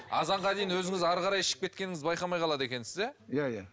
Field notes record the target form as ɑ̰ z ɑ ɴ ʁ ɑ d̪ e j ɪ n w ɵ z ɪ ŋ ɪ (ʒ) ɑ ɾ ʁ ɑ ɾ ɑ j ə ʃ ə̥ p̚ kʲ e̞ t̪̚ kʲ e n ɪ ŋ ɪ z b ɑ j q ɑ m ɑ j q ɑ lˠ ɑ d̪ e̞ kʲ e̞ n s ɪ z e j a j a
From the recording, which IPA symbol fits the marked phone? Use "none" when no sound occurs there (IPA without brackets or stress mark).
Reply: z